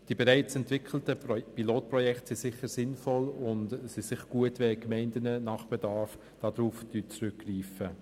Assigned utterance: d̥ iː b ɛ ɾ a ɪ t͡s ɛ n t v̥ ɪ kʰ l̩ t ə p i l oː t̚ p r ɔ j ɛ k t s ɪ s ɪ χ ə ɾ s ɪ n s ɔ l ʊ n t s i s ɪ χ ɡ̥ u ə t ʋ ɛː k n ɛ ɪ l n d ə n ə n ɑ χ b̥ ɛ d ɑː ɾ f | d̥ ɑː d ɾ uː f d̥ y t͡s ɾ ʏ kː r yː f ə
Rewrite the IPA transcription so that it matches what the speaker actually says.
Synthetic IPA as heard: d̥ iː b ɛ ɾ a ɪ t͡s ɛ n t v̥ ɪ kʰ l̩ t ə p i l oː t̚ p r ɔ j ɛ k t s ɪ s ɪ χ ə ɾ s ɪ n f ɔ l ʊ n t s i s ɪ χ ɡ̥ u ə t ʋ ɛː k m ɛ ɪ n d ə n ə n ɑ χ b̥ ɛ d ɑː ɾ f | d̥ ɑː d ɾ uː f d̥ y t͡s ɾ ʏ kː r iː f ə